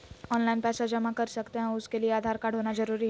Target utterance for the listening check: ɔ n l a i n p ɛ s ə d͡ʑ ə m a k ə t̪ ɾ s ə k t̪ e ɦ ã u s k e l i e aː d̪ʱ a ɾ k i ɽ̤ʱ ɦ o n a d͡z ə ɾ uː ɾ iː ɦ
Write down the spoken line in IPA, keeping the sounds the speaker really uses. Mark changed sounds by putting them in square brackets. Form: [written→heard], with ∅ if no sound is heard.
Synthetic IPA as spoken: ɔ n l a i n p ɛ s [ə→a] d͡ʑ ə m a k ə [t̪→∅] ɾ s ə k t̪ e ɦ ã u s k e l i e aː d̪ʱ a ɾ k [i→a] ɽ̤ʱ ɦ o n a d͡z ə ɾ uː ɾ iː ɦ